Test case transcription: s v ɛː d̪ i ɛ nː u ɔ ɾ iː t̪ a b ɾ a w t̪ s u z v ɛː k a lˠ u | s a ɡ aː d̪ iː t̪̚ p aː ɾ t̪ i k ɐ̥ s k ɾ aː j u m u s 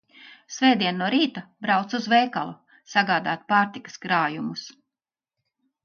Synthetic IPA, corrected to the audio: s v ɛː d̪ i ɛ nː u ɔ ɾ iː t̪ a b ɾ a w t̪ s u z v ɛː k a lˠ u | s a ɡ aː d̪ aː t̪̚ p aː ɾ t̪ i k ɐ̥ s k ɾ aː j u m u s